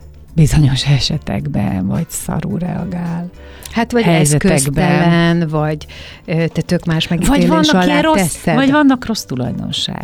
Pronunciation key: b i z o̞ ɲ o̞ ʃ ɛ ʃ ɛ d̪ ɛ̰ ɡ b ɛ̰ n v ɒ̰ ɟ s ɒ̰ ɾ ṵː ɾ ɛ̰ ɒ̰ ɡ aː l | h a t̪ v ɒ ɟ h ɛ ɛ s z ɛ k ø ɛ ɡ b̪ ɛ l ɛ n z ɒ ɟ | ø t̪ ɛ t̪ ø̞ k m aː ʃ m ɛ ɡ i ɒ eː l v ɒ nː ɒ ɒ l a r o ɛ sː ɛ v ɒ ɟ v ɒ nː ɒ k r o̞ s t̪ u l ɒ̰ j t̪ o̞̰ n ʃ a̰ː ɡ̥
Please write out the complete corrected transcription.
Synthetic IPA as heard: b i z o̞ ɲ o̞ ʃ ɛ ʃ ɛ t̪ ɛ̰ ɡ b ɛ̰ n v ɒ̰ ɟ s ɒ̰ ɾ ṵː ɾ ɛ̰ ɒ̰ ɡ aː l | h a t̪ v ɒ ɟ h ɛ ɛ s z ɛ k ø ɛ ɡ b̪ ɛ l ɛ n v ɒ ɟ | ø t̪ ɛ t̪ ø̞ k m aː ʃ m ɛ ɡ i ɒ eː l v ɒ nː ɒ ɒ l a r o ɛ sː ɛ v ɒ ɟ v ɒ nː ɒ k r o̞ s t̪ u l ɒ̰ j d̪ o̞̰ n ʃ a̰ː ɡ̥